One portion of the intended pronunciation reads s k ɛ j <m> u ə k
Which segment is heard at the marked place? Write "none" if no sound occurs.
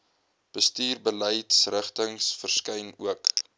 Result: n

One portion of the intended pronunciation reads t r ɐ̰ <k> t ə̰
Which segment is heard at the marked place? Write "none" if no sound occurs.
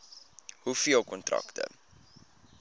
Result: k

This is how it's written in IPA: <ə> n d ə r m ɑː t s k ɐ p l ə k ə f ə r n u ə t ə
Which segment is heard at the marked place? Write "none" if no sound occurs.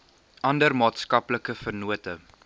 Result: ɐ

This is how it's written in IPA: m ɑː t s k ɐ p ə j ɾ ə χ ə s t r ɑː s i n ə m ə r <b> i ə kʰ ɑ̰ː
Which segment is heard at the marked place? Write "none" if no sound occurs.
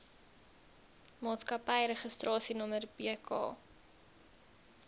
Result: b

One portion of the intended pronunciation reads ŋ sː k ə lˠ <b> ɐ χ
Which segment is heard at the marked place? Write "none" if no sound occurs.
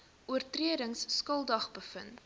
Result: d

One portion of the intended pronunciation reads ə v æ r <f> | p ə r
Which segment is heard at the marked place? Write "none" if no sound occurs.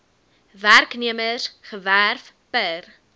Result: f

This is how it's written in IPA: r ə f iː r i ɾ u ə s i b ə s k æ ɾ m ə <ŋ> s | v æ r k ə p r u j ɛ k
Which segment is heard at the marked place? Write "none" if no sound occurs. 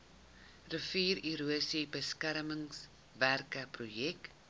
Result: ŋ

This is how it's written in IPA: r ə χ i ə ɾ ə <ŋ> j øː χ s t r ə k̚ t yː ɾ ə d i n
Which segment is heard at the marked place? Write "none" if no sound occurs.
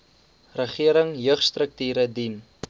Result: ŋ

